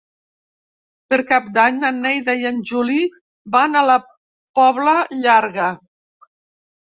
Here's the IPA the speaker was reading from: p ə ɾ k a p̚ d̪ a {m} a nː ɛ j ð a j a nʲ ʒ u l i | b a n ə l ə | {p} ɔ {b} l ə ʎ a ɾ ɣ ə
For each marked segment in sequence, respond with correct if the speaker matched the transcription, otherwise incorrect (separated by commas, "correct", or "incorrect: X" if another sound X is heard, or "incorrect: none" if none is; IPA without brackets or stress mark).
incorrect: ɲ, correct, incorrect: β